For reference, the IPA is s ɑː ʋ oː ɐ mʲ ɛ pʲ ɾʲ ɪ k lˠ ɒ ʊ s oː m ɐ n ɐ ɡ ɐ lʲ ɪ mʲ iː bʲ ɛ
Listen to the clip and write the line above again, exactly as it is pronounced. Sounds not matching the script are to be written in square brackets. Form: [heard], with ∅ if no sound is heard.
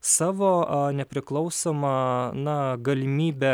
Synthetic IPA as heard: s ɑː ʋ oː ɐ [nʲ] ɛ pʲ ɾʲ ɪ k lˠ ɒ ʊ s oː m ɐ n ɐ ɡ ɐ lʲ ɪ mʲ iː bʲ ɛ